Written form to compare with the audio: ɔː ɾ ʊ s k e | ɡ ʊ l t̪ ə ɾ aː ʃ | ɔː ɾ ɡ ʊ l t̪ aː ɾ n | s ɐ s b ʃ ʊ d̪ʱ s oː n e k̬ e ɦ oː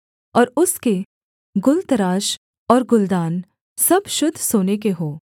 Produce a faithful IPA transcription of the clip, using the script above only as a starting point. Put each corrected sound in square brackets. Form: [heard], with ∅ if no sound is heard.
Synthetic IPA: ɔː ɾ ʊ s k e | ɡ ʊ l t̪ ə ɾ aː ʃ | ɔː ɾ ɡ ʊ l [d̪] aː [∅] n | s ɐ [∅] b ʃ ʊ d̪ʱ s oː n e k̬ e ɦ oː